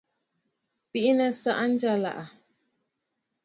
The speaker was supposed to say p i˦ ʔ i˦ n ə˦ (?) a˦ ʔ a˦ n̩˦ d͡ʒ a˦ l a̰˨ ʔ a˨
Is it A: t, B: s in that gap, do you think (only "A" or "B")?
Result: B